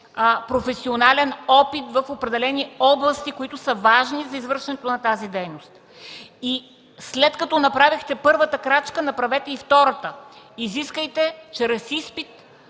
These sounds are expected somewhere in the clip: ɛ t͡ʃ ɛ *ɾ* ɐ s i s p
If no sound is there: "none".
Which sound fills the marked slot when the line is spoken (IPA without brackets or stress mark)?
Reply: ɾ